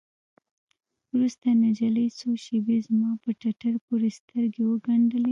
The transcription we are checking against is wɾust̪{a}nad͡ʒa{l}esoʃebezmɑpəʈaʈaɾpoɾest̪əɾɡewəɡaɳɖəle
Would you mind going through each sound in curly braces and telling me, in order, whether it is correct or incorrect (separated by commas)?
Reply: correct, correct